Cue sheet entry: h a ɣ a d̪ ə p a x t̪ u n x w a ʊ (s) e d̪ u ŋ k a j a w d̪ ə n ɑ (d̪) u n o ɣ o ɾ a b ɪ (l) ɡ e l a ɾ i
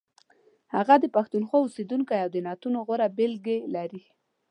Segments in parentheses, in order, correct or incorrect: correct, incorrect, correct

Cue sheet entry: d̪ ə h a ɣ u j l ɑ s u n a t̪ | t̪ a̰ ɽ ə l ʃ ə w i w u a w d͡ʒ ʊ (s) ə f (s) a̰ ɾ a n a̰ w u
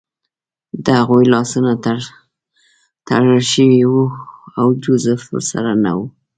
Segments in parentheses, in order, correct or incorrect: incorrect, correct

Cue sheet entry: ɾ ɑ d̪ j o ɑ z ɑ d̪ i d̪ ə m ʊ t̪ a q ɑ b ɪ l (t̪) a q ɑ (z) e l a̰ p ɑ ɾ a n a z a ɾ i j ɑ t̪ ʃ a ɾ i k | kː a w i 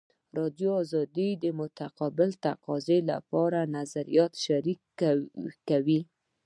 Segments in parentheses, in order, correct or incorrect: correct, correct

